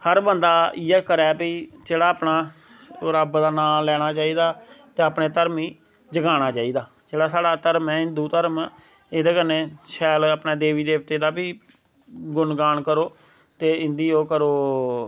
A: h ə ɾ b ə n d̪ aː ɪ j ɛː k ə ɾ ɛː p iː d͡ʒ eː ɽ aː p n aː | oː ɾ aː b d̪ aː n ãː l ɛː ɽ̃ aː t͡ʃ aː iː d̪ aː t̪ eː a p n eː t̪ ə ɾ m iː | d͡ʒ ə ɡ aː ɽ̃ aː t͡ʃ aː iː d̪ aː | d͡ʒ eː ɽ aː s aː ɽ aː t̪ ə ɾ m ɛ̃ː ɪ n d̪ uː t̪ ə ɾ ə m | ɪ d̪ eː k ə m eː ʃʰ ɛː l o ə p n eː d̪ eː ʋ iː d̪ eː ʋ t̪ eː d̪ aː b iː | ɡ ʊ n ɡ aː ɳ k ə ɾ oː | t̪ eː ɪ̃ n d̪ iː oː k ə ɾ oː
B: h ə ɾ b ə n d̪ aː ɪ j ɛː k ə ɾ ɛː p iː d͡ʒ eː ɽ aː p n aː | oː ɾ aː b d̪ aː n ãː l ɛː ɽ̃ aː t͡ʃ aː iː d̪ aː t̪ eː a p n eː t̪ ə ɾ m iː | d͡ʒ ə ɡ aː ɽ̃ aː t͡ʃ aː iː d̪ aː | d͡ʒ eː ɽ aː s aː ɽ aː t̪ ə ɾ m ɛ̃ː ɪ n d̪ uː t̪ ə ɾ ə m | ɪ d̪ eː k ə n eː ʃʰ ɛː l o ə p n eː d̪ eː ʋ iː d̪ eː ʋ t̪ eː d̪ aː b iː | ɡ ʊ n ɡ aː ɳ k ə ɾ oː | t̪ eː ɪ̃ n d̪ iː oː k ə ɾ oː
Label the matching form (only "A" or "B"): B